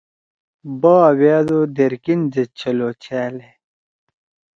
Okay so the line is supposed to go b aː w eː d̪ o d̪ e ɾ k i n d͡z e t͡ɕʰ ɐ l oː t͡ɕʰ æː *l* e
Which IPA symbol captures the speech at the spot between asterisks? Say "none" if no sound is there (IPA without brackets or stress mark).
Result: l